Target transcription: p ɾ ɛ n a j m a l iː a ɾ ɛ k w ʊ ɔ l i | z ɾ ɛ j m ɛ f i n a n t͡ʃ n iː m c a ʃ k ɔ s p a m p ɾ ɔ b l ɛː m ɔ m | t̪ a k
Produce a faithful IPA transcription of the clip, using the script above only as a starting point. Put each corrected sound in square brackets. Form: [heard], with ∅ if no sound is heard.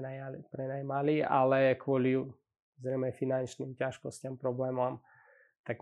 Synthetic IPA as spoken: p ɾ ɛ n a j m a l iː a [l] ɛ k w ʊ ɔ l i | z ɾ ɛ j m ɛ f i n a n t͡ʃ n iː m c a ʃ k ɔ s [c] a m p ɾ ɔ b l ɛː m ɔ m | t̪ a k